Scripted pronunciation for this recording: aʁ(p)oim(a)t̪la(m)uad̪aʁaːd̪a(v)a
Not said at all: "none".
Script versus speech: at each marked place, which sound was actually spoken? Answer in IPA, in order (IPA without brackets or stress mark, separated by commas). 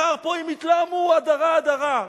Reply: p, i, m, ʁ